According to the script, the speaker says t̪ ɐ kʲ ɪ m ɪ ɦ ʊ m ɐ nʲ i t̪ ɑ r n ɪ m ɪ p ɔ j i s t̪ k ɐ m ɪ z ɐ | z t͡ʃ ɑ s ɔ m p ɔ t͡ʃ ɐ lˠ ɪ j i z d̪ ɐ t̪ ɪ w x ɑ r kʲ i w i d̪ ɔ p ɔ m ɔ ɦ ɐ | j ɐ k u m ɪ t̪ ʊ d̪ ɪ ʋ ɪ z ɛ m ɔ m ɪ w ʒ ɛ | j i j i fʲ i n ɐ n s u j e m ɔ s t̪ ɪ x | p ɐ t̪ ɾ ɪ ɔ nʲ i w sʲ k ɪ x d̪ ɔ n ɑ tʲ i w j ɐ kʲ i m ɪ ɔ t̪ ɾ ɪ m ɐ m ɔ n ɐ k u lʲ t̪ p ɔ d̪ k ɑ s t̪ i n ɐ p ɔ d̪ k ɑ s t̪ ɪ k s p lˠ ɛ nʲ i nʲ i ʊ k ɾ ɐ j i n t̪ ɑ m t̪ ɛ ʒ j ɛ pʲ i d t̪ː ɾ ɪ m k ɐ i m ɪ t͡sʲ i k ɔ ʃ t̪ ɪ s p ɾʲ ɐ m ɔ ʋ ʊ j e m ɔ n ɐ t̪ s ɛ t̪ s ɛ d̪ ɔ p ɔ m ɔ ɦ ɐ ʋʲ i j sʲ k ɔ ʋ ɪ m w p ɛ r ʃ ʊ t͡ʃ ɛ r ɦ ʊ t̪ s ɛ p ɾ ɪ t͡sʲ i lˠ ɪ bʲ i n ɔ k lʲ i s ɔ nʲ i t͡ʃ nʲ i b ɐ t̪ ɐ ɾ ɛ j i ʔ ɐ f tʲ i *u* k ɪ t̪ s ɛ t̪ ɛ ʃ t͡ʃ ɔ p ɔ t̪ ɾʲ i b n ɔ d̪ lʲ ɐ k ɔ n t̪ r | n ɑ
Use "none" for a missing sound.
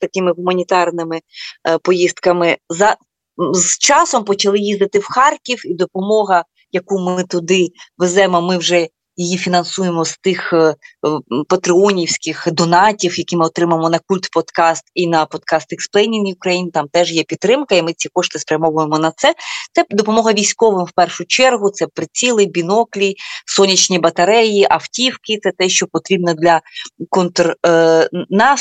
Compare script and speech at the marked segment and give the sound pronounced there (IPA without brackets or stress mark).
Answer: w